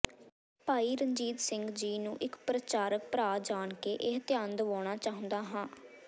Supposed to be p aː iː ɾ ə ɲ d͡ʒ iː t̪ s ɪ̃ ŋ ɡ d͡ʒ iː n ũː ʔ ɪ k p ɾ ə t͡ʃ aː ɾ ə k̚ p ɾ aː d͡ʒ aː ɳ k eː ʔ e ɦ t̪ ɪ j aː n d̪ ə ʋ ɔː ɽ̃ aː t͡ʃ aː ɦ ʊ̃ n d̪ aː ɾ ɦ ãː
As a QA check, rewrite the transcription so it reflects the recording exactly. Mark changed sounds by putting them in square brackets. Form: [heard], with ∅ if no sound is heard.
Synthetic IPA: p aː iː ɾ ə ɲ d͡ʒ iː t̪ s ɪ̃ ŋ ɡ d͡ʒ iː n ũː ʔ ɪ k p ɾ ə t͡ʃ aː ɾ ə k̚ p ɾ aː d͡ʒ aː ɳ k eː ʔ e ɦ t̪ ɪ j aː n d̪ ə ʋ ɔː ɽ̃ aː t͡ʃ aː ɦ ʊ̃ n d̪ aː [∅] ɦ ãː